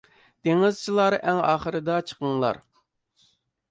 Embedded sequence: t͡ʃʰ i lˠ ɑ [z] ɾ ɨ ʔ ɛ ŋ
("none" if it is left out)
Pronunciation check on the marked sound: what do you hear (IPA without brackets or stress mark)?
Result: none